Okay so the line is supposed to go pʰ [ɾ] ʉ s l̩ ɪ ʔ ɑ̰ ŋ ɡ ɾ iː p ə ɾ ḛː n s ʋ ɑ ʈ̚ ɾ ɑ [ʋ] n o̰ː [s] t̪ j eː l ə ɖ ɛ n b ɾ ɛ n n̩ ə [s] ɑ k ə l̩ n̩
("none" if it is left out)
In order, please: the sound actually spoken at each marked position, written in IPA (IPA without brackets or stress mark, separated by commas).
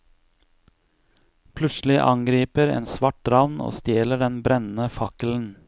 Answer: l, ʋ, s, f